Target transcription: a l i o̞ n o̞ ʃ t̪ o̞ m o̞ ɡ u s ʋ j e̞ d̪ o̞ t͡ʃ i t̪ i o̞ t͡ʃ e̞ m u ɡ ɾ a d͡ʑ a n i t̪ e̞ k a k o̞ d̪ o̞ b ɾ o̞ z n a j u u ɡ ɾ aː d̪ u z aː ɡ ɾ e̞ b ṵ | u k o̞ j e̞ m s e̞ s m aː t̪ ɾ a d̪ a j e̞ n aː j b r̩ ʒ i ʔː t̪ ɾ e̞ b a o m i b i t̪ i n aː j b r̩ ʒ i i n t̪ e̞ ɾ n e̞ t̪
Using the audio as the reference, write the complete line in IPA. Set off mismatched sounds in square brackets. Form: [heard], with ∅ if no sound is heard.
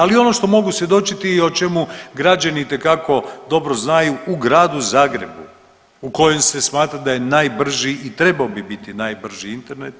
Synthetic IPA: a l i o̞ n o̞ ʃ t̪ o̞ m o̞ ɡ u s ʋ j e̞ d̪ o̞ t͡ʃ i t̪ i o̞ t͡ʃ e̞ m u ɡ ɾ a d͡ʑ a n i t̪ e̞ k a k o̞ d̪ o̞ b ɾ o̞ z n a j u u ɡ ɾ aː d̪ u z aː ɡ ɾ e̞ b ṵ | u k o̞ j e̞ m s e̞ s m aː t̪ ɾ a d̪ a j e̞ n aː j b r̩ ʒ i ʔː t̪ ɾ e̞ b a o [b] i b i t̪ i n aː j b r̩ ʒ i i n t̪ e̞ ɾ n e̞ t̪